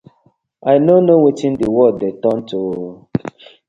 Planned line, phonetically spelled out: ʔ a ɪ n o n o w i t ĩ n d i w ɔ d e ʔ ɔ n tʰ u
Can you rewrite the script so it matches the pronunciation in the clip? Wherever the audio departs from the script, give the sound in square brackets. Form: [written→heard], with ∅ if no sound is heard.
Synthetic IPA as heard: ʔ a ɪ n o n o w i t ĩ n d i w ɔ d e [ʔ→t] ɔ n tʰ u